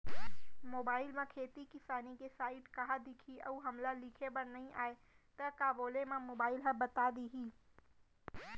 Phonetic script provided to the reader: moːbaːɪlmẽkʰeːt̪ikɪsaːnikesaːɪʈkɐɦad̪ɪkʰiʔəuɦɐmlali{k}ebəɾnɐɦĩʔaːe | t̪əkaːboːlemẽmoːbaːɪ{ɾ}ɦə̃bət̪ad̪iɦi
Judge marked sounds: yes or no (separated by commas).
no, no